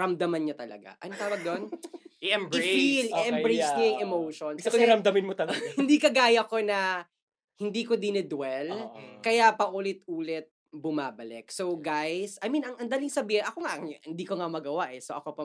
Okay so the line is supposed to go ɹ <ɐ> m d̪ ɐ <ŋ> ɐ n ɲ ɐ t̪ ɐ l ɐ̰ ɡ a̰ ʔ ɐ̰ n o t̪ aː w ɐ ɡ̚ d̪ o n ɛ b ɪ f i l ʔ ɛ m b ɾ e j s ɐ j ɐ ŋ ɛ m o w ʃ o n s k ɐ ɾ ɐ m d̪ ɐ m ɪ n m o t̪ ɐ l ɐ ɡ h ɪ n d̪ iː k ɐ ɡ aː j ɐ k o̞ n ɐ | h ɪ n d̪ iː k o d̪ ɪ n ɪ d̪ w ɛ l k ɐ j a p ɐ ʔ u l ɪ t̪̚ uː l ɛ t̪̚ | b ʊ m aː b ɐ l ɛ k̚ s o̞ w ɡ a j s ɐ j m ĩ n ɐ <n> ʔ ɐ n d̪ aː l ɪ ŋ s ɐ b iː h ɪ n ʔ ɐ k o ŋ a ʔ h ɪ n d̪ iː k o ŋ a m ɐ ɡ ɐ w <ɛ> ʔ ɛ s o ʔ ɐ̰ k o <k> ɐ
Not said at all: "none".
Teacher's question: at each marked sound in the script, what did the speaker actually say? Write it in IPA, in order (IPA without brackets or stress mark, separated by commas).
ɐ, m, ŋ, a, p